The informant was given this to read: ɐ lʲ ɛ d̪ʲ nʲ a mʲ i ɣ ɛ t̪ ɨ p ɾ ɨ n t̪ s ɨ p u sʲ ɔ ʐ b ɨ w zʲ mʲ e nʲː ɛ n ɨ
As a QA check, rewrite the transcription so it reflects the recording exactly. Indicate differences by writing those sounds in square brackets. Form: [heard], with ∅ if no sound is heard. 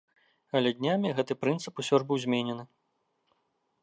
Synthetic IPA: ɐ lʲ ɛ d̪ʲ nʲ a mʲ i ɣ ɛ t̪ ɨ p ɾ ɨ n t̪ s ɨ p u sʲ ɔ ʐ b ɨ w zʲ mʲ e [nʲ] ɛ n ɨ